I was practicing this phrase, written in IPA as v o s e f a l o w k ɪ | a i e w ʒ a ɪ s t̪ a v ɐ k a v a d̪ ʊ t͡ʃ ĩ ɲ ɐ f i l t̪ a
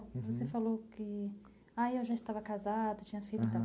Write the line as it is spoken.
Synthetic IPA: v o s e f a l o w k ɪ | a j e w ʒ a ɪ s t̪ a v ɐ k a z a d̪ ʊ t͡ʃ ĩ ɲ ɐ f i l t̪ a